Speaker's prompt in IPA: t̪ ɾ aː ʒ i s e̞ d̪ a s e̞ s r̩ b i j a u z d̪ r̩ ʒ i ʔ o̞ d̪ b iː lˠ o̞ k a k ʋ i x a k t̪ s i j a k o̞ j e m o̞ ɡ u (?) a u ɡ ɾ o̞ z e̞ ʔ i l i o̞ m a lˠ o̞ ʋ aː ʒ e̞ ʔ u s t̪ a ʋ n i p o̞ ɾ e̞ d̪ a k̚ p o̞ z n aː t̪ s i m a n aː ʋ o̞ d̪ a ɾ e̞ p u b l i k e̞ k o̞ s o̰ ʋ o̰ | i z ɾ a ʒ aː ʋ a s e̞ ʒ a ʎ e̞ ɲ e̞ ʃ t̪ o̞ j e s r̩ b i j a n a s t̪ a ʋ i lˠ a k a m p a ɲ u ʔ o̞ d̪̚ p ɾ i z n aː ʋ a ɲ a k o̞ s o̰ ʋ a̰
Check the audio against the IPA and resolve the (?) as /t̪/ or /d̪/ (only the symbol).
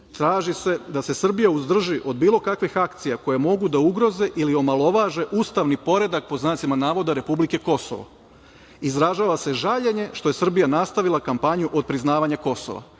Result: d̪